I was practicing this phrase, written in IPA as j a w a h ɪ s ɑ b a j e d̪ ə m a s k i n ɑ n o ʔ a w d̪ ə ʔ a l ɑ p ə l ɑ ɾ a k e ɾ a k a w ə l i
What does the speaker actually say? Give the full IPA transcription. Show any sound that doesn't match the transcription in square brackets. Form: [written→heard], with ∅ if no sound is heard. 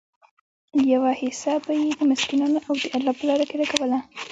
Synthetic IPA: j a w a h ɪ s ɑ b a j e d̪ ə m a s k i n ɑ n o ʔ a w d̪ ə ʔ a l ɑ p ə l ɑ ɾ a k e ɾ a k a w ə l [i→a]